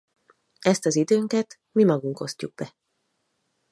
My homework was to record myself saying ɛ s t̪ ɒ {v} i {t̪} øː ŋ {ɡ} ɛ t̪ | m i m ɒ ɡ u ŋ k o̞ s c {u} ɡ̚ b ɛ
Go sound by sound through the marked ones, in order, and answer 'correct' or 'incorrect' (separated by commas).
incorrect, incorrect, incorrect, correct